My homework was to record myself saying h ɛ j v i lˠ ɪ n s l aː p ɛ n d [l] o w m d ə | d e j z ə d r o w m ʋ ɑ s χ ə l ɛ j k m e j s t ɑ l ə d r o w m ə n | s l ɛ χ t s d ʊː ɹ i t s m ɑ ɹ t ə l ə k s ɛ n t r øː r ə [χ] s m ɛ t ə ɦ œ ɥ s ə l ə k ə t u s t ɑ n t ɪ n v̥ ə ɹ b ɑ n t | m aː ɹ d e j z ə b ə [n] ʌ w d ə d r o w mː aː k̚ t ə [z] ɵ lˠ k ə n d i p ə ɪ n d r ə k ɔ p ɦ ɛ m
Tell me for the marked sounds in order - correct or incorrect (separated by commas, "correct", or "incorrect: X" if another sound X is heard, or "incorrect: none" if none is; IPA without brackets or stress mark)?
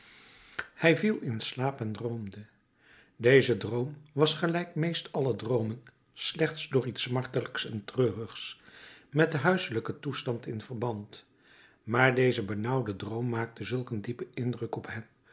incorrect: r, correct, correct, correct